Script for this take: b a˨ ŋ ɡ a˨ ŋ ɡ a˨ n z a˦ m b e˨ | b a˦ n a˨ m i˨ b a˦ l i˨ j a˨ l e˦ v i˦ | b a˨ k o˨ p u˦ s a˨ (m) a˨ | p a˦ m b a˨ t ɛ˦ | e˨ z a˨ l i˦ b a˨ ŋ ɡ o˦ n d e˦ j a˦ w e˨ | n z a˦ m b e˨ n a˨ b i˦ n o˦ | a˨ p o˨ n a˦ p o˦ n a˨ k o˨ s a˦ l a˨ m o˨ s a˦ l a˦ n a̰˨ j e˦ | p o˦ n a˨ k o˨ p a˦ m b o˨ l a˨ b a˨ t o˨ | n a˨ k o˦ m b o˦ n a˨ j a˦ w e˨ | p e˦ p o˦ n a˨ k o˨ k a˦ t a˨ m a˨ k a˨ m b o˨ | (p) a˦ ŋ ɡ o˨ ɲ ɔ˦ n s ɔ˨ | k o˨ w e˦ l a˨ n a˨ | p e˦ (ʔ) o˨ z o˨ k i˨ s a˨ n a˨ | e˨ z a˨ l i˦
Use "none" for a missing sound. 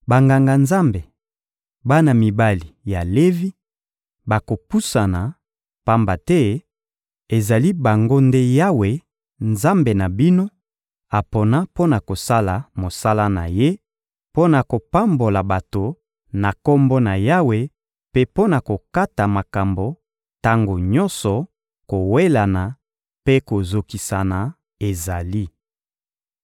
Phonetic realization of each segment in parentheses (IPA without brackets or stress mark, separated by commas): n, t, k